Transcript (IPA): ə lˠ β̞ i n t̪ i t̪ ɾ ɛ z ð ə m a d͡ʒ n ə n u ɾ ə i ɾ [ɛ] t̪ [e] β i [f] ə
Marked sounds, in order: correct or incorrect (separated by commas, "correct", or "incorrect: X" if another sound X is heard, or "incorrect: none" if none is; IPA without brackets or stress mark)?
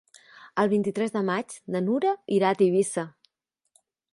incorrect: a, incorrect: i, incorrect: s